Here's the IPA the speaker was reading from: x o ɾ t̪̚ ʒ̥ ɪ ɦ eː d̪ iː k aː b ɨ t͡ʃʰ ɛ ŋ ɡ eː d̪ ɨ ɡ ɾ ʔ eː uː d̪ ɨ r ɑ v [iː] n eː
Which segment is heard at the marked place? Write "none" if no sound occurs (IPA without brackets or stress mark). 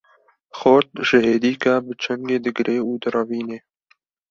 iː